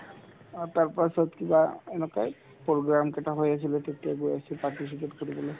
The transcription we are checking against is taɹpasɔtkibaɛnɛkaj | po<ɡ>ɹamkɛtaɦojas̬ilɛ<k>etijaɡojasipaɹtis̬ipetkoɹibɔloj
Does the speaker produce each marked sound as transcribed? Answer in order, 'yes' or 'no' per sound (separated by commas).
yes, no